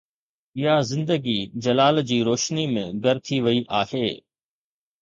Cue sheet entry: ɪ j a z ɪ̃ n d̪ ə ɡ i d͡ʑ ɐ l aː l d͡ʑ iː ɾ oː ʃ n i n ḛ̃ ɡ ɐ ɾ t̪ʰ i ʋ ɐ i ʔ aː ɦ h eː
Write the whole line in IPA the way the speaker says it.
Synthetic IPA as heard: ɪ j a z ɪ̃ n d̪ ə ɡ i d͡ʑ ɐ l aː l d͡ʑ iː ɾ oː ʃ n i m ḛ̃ ɡ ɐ ɾ t̪ʰ i ʋ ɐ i ʔ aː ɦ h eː